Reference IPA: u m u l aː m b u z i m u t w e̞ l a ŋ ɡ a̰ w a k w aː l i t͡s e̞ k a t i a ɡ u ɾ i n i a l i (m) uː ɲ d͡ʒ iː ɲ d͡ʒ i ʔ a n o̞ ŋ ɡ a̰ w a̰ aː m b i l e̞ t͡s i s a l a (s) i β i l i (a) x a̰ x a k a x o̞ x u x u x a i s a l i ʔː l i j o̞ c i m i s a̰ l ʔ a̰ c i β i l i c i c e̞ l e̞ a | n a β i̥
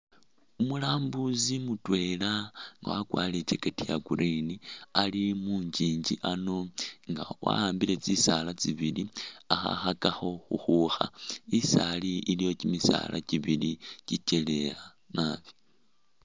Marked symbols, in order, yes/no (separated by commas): yes, no, yes